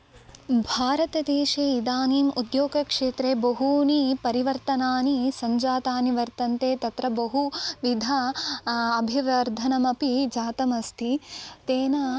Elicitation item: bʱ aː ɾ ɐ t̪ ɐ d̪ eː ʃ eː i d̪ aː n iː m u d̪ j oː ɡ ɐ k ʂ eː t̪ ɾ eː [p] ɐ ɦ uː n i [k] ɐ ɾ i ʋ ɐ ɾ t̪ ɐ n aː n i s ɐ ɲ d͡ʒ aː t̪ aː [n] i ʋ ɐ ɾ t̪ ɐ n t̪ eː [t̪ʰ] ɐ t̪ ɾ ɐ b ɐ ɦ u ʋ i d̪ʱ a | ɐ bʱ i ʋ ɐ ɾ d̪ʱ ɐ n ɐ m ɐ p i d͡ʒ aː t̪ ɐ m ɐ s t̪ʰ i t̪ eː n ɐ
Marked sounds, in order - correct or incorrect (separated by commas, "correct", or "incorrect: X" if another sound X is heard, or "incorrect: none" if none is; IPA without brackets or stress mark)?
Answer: incorrect: b, incorrect: p, correct, incorrect: t̪